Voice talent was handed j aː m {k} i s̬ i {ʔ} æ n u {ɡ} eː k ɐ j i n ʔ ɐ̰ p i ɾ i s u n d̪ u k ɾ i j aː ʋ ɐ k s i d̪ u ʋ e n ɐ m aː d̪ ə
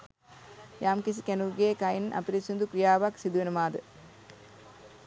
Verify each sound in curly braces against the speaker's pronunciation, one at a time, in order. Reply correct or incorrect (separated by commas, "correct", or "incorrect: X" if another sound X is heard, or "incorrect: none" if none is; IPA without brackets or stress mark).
correct, incorrect: k, correct